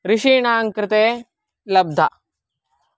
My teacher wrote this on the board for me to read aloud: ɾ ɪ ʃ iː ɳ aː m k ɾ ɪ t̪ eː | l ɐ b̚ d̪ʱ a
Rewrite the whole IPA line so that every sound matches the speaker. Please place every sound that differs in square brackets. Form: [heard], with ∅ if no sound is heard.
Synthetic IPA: ɾ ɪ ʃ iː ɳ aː [ŋ] k ɾ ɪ t̪ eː | l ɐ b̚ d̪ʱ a

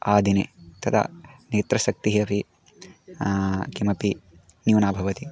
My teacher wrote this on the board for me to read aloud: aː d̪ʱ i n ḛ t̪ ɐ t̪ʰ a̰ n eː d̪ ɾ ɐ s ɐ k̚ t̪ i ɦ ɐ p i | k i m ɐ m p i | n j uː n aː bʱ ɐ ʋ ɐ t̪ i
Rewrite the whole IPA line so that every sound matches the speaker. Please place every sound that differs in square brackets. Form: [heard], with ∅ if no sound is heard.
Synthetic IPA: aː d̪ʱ i n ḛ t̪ ɐ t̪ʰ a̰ n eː [t̪] ɾ ɐ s ɐ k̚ t̪ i ɦ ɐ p i | k i m ɐ [∅] p i | n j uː n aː bʱ ɐ ʋ ɐ t̪ i

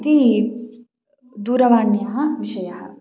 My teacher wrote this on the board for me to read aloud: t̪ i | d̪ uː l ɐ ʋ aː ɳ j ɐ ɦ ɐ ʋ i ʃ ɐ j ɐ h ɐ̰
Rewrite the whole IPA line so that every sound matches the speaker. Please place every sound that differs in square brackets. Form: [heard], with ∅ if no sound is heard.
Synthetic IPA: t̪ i | d̪ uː [ɾ] ɐ ʋ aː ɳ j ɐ ɦ ɐ ʋ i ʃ ɐ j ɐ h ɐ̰

